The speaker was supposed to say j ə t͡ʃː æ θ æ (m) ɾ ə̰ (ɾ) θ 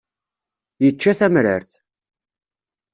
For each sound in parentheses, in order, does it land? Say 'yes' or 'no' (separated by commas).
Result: yes, yes